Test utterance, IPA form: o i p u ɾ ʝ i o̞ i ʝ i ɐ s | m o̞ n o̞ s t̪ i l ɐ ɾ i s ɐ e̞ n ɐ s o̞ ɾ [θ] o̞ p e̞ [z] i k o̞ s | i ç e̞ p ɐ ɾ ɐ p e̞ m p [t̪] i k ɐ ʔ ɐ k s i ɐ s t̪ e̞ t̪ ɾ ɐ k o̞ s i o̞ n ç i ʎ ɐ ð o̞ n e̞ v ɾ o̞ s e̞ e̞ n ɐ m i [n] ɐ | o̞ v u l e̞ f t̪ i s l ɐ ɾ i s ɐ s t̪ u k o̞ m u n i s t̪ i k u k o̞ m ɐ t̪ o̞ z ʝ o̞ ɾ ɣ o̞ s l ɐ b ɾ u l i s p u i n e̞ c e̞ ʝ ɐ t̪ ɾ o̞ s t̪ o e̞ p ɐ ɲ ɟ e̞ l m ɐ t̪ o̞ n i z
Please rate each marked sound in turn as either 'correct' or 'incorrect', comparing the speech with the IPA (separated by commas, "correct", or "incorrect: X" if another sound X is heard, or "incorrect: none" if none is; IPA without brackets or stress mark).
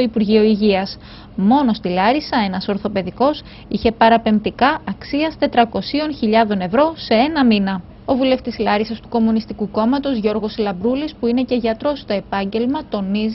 correct, incorrect: ð, correct, correct